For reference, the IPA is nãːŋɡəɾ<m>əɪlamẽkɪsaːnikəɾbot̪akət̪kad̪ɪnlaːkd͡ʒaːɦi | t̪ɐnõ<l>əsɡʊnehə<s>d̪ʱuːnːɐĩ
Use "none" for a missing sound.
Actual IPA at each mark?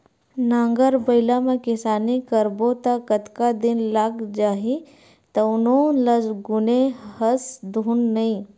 b, l, s

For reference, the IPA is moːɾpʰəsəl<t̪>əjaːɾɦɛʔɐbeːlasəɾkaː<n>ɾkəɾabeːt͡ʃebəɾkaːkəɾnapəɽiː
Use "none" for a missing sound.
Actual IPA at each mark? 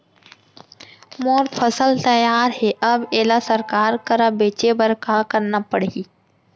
t̪, none

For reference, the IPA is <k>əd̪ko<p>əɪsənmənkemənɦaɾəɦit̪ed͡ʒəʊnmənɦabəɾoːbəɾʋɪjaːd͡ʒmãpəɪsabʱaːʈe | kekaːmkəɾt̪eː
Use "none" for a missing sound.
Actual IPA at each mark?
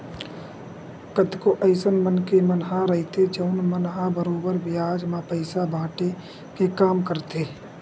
k, ʔ

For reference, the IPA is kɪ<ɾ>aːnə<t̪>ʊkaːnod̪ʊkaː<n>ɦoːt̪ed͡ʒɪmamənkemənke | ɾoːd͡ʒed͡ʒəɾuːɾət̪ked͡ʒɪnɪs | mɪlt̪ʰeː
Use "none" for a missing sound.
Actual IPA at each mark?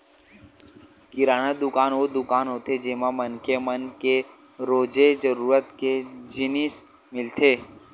ɾ, d̪, n

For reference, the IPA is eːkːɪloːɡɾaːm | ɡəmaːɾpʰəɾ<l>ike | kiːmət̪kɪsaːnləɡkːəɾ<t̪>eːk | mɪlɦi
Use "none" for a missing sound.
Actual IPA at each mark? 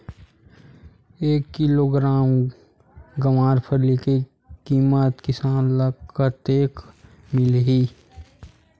l, t̪

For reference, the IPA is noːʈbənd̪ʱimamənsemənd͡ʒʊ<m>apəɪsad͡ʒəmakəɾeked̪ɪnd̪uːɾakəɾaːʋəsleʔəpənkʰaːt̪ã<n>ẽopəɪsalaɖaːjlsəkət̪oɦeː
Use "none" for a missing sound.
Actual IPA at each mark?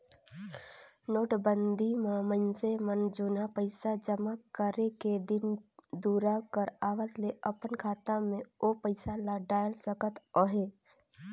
n, m

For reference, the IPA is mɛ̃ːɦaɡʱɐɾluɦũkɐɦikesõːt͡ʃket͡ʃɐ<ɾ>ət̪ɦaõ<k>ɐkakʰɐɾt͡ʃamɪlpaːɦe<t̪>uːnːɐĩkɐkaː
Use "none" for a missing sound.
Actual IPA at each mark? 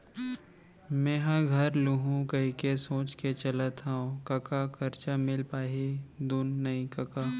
l, k, d̪

